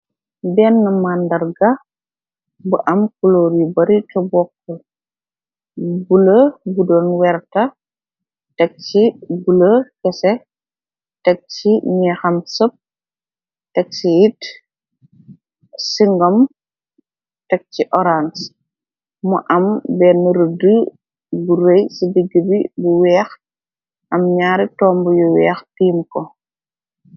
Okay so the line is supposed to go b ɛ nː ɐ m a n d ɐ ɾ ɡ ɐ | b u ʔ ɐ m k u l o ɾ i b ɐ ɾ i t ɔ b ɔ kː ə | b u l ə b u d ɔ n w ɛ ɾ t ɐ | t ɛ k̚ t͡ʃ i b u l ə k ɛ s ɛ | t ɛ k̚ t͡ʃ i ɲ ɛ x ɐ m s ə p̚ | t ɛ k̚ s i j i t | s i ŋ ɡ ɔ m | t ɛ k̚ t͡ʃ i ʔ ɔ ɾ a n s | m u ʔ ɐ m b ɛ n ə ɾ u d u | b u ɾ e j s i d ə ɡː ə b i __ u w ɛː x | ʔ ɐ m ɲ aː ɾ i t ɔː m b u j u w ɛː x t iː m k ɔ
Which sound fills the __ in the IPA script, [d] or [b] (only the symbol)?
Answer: b